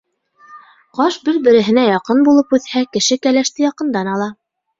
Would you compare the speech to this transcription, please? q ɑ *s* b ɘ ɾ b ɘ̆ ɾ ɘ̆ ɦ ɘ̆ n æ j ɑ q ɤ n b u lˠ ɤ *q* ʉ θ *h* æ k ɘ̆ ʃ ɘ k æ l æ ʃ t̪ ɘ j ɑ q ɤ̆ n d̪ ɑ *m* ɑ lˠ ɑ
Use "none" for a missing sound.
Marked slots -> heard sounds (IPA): ʃ, p, h, n

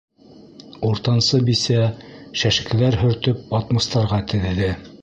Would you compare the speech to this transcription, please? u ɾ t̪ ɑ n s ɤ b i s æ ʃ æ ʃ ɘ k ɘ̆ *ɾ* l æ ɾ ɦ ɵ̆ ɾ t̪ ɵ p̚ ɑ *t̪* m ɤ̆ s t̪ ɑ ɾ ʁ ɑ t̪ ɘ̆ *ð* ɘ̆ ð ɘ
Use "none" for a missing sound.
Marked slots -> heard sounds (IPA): none, t̪, ð

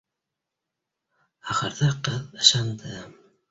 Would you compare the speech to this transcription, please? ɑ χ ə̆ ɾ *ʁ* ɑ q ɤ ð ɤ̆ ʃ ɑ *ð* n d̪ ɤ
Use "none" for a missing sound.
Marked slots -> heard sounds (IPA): ð, none

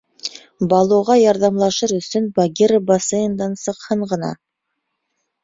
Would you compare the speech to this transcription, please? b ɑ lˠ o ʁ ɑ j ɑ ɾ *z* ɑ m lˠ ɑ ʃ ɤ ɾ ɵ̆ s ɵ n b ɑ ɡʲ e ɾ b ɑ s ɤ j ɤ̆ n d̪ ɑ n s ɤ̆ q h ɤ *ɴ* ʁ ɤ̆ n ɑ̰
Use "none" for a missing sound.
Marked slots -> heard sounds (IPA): ð, ɴ

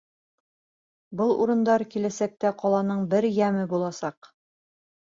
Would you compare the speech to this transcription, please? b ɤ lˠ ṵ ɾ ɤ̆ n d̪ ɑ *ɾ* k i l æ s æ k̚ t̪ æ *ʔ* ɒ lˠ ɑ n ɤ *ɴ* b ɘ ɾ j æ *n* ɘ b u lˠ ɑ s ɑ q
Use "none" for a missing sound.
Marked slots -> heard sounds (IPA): ɾ, q, ɴ, m

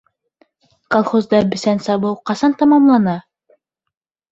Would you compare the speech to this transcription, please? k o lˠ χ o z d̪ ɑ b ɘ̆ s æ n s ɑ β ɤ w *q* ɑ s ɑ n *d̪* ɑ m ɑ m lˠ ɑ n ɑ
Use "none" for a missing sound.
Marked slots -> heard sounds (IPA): q, t̪

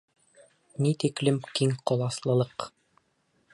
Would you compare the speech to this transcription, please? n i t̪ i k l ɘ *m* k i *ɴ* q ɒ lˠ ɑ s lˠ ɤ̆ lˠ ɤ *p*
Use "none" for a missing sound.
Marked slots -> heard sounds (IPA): m, ŋ, q

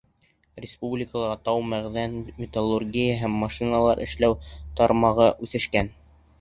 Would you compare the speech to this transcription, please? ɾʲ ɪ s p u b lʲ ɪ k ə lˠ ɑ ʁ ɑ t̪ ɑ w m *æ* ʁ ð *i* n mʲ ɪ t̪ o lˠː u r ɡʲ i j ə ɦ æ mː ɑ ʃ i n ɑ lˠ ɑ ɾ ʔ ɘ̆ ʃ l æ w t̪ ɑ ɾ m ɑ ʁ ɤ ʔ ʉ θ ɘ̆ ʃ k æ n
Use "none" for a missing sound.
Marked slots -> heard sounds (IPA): æ, æ

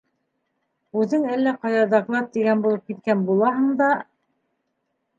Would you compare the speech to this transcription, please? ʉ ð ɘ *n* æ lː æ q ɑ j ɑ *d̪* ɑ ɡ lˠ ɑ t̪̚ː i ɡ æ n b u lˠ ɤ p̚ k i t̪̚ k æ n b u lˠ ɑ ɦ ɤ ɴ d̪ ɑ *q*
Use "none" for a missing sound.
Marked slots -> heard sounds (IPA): ŋ, d̪, none

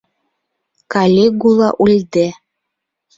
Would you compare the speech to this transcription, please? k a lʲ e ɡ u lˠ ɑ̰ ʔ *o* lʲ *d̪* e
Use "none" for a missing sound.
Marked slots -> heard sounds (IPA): u, d̪

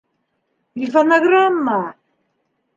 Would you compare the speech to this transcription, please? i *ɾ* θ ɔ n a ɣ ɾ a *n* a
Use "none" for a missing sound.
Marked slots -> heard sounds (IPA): none, m

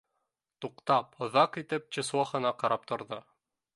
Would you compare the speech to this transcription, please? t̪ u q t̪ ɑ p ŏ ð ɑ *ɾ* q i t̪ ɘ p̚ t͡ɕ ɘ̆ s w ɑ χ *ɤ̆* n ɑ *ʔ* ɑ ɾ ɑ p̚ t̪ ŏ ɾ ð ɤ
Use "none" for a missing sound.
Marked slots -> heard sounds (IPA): none, ɤ̆, q

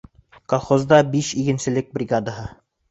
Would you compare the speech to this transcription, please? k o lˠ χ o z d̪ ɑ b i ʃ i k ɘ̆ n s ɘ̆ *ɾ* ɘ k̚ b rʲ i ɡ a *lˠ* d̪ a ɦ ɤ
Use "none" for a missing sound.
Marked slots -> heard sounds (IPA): l, none

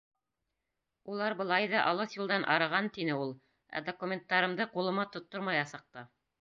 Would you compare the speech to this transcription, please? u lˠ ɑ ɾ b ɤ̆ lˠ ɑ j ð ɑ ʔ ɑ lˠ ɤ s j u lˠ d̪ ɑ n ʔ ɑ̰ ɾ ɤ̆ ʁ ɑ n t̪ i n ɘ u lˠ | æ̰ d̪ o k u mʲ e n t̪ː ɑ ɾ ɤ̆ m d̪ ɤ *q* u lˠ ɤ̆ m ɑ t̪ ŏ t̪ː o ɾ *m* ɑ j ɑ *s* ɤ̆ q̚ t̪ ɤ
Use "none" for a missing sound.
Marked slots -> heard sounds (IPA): q, m, s

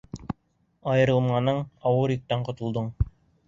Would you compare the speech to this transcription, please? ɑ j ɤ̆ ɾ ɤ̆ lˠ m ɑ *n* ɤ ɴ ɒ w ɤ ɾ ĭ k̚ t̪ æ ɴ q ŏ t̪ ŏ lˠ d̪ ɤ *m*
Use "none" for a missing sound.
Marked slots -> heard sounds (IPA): n, ɴ

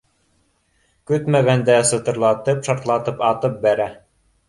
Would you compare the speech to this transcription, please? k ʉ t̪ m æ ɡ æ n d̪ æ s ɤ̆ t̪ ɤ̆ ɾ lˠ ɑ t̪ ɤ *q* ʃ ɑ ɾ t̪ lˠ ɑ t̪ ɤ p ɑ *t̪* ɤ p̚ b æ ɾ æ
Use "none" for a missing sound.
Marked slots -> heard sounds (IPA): p, t̪

